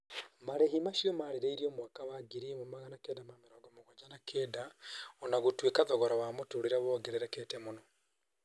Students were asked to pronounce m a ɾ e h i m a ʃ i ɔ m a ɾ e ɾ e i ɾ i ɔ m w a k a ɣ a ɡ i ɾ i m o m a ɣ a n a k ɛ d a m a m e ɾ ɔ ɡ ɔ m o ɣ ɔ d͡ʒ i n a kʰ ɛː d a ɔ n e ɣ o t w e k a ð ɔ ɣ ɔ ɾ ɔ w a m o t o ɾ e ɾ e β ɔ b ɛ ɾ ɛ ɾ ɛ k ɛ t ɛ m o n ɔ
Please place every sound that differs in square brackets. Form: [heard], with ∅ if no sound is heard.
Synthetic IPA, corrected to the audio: m a ɾ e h i m a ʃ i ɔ m a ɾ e ɾ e i ɾ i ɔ m w a k a [w] a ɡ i ɾ i m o m a ɣ a n a k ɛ d a m a m e ɾ ɔ ɡ ɔ m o ɣ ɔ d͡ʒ [a] n a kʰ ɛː d a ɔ n [a] ɣ o t w e k a ð ɔ ɣ ɔ ɾ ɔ w a m o t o ɾ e ɾ [a] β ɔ [ɡ] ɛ ɾ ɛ ɾ ɛ k ɛ t ɛ m o n ɔ